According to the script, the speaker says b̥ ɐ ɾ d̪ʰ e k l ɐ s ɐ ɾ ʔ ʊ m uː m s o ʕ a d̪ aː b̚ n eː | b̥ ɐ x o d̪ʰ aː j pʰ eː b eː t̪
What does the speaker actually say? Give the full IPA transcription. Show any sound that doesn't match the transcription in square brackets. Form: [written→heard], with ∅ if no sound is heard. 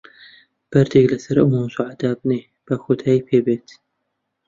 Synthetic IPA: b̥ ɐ ɾ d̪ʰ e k l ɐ s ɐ ɾ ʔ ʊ m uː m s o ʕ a d̪ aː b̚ n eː | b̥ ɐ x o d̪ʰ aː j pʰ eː b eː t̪

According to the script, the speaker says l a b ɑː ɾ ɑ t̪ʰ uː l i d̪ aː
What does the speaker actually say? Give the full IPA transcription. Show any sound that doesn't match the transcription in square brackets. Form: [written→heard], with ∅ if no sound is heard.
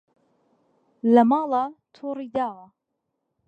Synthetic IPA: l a [b→m] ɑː [ɾ→l] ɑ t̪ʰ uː [l→ɾ] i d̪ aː

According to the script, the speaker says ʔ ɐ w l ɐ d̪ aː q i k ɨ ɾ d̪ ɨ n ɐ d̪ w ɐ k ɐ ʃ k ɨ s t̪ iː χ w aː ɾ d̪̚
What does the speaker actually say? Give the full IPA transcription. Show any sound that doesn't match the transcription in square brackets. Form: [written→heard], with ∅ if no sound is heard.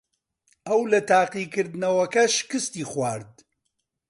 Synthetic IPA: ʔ ɐ w l ɐ [d̪→t̪] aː q i k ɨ ɾ d̪ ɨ n ɐ [d̪→∅] w ɐ k ɐ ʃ k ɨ s t̪ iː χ w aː ɾ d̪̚

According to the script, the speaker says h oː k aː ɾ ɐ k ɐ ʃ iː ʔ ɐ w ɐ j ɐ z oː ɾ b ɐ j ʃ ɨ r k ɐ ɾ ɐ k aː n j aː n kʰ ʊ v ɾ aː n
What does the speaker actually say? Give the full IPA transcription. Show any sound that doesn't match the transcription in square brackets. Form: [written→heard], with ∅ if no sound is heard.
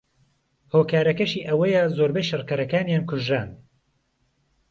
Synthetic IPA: h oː k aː ɾ ɐ k ɐ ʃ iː ʔ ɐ w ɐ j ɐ z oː ɾ b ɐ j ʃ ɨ r k ɐ ɾ ɐ k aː n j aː n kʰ ʊ [v→ʒ] ɾ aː n

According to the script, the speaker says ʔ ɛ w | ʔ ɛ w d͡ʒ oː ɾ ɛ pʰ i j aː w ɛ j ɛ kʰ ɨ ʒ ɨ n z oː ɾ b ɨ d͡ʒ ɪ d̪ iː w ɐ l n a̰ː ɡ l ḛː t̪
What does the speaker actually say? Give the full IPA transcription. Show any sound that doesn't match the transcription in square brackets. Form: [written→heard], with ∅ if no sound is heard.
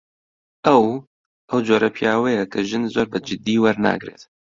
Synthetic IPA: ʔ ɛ w | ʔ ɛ w d͡ʒ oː ɾ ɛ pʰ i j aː w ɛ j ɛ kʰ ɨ ʒ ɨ n z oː ɾ b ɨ d͡ʒ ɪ d̪ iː w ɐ [l→ɾ] n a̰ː ɡ [l→ɾ] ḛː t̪

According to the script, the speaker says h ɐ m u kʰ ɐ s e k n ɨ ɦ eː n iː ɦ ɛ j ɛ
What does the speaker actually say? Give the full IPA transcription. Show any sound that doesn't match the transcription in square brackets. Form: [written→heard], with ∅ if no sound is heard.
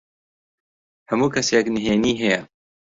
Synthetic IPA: h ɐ m [u→uː] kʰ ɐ s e k n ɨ ɦ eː n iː ɦ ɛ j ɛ

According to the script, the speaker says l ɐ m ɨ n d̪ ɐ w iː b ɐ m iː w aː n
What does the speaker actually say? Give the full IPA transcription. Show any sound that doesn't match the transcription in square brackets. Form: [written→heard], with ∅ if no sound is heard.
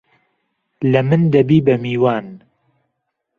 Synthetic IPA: l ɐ m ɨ n d̪ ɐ [w→b] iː b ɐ m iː w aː n

